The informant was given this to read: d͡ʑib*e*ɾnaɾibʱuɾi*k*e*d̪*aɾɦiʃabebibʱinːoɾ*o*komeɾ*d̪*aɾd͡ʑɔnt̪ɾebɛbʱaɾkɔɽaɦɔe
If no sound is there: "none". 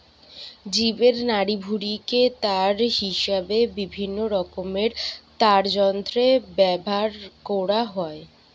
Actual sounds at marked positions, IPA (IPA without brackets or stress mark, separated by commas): e, k, t̪, ɔ, t̪